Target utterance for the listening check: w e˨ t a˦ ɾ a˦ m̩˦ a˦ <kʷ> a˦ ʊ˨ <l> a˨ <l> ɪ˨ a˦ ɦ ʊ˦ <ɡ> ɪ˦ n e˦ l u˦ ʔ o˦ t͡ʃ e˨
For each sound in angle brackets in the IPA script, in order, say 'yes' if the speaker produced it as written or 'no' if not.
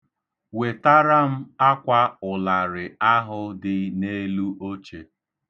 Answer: yes, yes, no, no

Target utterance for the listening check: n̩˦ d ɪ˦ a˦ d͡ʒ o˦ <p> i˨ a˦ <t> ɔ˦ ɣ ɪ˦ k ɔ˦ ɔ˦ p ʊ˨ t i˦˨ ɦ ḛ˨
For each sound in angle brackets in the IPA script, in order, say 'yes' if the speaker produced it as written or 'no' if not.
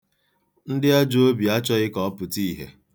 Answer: no, no

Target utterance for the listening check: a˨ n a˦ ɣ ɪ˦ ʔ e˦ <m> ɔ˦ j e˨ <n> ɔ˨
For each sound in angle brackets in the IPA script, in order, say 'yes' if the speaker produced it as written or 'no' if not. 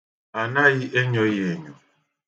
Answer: no, no

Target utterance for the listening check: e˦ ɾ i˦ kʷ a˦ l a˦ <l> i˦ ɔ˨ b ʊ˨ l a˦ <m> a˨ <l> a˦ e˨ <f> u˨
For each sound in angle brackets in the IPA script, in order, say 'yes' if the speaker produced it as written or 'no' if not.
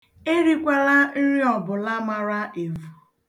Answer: no, yes, no, no

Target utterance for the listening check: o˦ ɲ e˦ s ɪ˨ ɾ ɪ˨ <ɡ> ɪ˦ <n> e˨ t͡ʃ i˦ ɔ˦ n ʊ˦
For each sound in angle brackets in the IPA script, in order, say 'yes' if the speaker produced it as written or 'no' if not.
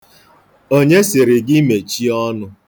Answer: yes, no

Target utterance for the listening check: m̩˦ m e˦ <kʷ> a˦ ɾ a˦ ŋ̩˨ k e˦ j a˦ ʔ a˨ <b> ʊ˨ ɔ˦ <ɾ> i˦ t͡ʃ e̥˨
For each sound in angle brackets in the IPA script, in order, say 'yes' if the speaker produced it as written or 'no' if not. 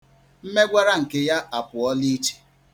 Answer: no, no, no

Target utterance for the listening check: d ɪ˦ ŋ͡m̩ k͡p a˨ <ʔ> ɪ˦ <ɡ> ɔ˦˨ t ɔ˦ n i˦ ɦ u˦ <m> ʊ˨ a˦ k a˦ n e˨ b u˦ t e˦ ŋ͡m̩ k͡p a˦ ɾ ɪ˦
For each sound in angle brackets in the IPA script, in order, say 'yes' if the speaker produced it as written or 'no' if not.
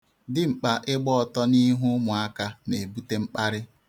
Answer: yes, no, yes

